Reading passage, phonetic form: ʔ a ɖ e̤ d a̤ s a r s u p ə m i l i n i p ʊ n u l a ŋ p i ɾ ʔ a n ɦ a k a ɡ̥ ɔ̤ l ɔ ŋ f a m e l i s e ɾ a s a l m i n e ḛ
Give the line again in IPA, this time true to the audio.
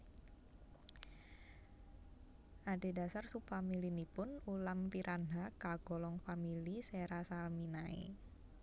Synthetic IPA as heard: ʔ a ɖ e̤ d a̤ s a r s u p a m i l i n i p ʊ n u l a m p i ɾ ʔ a n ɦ a k a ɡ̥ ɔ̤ l ɔ ŋ f a m i l i s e ɾ a s a l m i n a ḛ